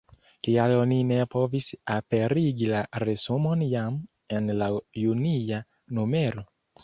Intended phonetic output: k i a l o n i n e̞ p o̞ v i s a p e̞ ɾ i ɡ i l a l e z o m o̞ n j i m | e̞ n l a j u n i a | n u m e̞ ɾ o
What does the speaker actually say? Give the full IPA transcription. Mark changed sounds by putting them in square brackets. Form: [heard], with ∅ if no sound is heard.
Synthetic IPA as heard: k i a l o n i n e̞ p o̞ v i s a p e̞ ɾ i ɡ i l a [ɾ] e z [u] m o̞ n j [a] m | e̞ n l a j u n i a | n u m e̞ ɾ o

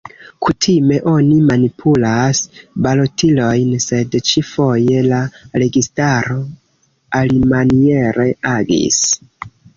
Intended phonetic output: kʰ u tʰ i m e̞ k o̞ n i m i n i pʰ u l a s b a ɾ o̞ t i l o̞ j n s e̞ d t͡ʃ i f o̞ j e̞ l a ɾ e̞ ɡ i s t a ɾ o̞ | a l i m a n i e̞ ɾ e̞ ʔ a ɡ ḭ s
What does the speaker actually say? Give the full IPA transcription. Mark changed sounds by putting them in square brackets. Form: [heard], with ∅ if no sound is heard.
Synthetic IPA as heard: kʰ u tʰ i m e̞ [ʔ] o̞ n i m [a] n i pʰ u l a s b a [l] o̞ t i l o̞ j n s e̞ d t͡ʃ i f o̞ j e̞ l a ɾ e̞ ɡ i s t a ɾ o̞ | a l i m a n i e̞ ɾ e̞ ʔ a ɡ ḭ s

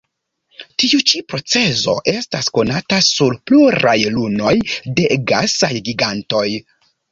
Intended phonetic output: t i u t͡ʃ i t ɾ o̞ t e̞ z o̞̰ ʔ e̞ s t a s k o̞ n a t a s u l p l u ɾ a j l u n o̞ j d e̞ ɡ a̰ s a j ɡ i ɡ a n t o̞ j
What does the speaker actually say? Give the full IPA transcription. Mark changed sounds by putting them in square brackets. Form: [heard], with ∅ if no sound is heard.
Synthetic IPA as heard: t i u t͡ʃ i [p] ɾ o̞ [t͡s] e̞ z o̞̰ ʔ e̞ s t a s k o̞ n a t a s u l p l u ɾ a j l u n o̞ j d e̞ ɡ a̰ s a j ɡ i ɡ a n t o̞ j

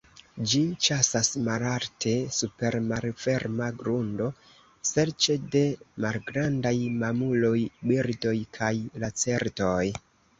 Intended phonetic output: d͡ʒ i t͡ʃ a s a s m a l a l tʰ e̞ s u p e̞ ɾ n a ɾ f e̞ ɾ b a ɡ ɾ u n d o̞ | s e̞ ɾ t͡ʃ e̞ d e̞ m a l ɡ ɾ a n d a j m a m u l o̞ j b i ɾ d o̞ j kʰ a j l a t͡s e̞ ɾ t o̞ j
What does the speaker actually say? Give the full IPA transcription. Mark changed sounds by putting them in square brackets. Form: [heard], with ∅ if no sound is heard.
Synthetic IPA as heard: d͡ʒ i t͡ʃ a s a s m a l a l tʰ e̞ s u p e̞ ɾ [m] a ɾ f e̞ ɾ [m] a ɡ ɾ u n d o̞ | s e̞ ɾ t͡ʃ e̞ d e̞ m a l ɡ ɾ a n d a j m a m u l o̞ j b i ɾ d o̞ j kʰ a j l a t͡s e̞ ɾ t o̞ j

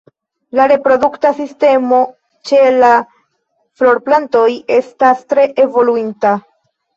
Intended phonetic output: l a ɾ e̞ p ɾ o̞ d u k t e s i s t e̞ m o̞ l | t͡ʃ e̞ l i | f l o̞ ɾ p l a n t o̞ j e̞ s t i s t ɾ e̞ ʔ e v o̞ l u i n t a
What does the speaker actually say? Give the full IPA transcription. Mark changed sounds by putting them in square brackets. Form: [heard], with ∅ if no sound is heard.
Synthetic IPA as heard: l a ɾ e̞ p ɾ o̞ d u k t [a] s i s t e̞ m o̞ [∅] | t͡ʃ e̞ l [a] | f l o̞ ɾ p l a n t o̞ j e̞ s t [a] s t ɾ e̞ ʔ e v o̞ l u i n t a

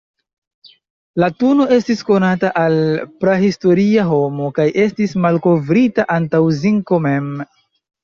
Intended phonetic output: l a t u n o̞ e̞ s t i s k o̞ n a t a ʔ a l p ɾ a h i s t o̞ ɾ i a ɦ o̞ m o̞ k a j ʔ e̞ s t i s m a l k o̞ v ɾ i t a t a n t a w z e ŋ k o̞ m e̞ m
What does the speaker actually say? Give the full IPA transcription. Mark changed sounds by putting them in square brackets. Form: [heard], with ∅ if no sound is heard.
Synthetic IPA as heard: l a t u n o̞ e̞ s t i s k o̞ n a t a ʔ a l p ɾ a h i s t o̞ ɾ i a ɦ o̞ m o̞ k a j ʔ e̞ s t i s m a l k o̞ v ɾ i t a [ʔ] a n t a w z [i] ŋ k o̞ m e̞ m

